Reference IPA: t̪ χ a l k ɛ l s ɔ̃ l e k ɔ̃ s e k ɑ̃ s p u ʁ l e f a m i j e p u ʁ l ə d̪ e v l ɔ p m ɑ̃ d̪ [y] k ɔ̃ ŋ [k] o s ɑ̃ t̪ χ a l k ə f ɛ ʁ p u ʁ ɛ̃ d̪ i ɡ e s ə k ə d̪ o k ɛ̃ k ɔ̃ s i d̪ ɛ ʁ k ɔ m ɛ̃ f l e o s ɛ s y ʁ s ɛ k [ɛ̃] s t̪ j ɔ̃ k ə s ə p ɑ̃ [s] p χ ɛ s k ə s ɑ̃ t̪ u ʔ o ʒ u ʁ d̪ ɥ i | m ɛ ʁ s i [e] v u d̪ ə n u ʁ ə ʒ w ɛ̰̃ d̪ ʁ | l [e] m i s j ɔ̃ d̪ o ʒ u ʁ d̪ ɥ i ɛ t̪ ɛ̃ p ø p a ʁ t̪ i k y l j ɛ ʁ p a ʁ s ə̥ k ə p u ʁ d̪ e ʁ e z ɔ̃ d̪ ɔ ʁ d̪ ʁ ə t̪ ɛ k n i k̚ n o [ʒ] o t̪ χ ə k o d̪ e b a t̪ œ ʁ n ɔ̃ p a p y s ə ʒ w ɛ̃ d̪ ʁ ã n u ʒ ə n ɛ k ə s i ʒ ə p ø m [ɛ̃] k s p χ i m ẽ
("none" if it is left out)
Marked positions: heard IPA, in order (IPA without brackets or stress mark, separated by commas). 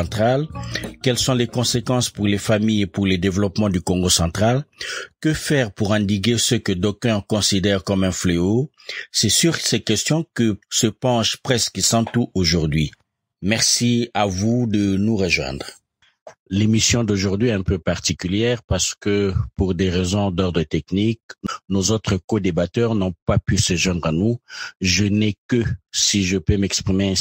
y, ɡ, ɛ, ʃ, a, e, z, ɛ